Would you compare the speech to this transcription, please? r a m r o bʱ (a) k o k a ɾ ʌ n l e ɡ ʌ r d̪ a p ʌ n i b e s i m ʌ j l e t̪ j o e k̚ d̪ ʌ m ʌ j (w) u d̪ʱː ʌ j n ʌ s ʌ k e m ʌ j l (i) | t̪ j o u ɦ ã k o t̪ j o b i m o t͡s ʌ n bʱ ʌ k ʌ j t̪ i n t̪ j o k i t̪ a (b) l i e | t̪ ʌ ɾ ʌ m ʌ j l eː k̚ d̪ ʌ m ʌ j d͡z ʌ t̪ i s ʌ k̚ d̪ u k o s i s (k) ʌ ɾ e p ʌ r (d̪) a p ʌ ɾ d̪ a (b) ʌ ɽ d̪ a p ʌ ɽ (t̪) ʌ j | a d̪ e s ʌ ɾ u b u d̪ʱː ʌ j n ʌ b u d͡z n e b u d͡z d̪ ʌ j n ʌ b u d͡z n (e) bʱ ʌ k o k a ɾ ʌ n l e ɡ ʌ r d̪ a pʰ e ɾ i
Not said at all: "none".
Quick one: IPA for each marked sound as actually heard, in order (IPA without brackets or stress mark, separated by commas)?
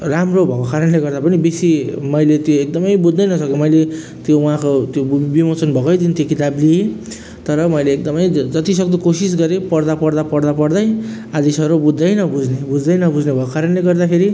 ʌ, b, e, b, ɡ, d̪, p, d̪, e